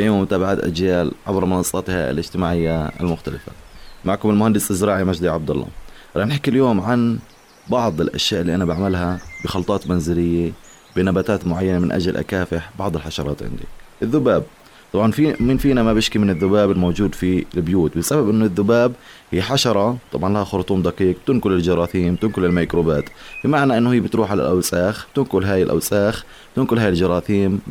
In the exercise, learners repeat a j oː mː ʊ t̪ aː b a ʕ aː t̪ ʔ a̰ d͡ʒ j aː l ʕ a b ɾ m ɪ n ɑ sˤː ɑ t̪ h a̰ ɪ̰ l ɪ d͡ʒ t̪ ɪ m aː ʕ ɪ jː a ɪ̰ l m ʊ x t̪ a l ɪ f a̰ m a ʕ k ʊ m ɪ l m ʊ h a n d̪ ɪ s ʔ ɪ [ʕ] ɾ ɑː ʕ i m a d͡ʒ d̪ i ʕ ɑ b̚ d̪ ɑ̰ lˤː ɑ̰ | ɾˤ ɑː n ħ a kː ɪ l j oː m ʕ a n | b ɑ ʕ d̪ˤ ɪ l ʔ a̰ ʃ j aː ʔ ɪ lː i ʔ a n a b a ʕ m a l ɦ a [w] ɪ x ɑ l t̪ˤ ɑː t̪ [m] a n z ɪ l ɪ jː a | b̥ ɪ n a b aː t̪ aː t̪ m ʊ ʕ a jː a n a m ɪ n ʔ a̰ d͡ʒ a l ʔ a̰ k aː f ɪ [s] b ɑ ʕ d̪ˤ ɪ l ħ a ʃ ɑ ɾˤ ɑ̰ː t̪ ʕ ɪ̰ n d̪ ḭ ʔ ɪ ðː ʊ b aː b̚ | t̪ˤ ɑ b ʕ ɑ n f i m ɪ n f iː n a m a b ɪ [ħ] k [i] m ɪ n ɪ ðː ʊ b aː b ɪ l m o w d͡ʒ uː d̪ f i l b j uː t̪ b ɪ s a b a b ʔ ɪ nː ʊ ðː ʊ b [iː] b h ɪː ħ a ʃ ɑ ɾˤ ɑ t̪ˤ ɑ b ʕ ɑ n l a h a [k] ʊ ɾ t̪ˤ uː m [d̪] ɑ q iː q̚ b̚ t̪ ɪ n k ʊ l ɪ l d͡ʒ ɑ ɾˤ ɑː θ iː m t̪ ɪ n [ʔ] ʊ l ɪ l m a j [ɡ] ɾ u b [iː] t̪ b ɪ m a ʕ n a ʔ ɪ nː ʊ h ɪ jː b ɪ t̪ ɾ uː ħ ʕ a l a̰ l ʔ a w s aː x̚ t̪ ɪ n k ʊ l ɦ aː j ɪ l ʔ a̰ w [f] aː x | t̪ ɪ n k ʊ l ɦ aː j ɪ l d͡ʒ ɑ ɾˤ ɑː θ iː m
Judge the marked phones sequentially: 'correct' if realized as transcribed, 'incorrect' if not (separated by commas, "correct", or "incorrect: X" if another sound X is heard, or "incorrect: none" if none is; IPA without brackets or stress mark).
incorrect: z, incorrect: b, correct, incorrect: ħ, incorrect: ʃ, correct, incorrect: aː, incorrect: x, correct, incorrect: k, incorrect: k, incorrect: aː, incorrect: s